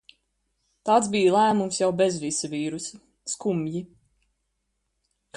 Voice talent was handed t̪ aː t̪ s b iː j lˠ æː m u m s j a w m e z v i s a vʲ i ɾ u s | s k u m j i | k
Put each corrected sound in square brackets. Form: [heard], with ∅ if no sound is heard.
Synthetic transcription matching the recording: t̪ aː t̪ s b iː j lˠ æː m u m s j a w [b] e z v i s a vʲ [iː] ɾ u s | s k u m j i | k